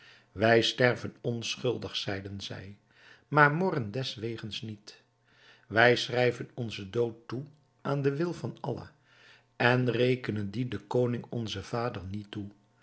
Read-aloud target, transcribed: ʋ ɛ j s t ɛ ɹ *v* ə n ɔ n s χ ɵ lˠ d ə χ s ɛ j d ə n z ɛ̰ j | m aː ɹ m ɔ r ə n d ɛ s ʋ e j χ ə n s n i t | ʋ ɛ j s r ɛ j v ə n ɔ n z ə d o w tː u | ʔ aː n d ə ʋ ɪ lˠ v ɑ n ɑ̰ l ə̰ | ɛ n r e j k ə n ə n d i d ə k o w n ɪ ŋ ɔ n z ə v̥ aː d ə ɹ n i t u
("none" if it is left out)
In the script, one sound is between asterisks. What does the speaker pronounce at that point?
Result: v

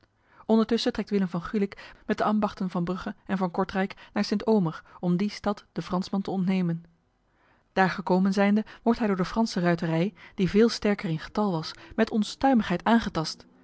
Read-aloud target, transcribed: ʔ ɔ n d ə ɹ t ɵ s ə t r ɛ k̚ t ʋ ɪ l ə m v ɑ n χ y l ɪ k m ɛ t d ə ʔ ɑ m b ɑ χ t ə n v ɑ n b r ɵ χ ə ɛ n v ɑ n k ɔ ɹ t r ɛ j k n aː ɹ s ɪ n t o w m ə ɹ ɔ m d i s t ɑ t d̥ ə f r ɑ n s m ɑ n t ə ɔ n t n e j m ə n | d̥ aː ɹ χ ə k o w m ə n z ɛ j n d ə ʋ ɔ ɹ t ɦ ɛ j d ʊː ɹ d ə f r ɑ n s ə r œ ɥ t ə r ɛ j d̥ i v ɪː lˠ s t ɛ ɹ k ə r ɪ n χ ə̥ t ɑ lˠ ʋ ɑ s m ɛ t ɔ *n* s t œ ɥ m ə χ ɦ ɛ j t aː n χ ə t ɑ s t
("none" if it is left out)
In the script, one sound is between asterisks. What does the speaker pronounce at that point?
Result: n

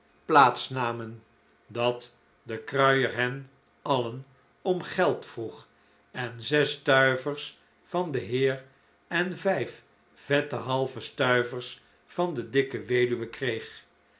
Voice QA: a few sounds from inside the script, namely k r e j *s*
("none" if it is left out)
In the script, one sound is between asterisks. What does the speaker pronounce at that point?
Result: χ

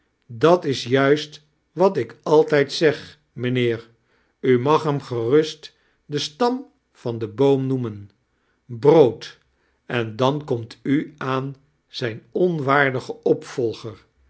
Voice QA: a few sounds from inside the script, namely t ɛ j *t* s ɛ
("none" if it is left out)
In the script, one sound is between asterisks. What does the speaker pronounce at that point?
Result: t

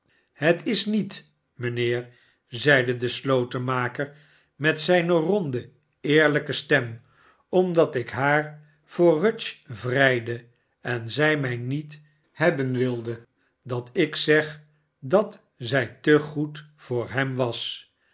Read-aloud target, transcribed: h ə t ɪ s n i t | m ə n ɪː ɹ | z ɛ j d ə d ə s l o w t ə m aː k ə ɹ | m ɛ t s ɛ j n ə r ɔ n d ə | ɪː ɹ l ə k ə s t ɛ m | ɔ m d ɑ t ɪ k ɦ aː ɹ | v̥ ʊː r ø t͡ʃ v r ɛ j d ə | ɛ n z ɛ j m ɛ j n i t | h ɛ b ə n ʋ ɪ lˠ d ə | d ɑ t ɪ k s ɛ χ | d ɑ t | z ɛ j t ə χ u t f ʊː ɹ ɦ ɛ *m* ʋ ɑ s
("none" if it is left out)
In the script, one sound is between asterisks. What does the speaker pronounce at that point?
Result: m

